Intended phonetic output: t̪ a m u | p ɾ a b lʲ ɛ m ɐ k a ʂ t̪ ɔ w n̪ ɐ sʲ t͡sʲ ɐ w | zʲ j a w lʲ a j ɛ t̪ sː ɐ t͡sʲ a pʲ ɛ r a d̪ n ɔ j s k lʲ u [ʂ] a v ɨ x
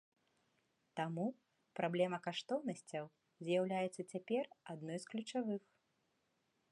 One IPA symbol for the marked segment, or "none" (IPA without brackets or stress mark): t͡ʂ